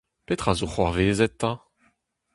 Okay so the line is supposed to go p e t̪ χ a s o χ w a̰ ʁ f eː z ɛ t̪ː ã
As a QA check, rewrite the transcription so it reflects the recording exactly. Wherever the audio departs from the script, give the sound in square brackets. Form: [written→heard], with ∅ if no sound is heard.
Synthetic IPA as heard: p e t̪ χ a [s→z] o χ w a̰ ʁ [f→v] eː z ɛ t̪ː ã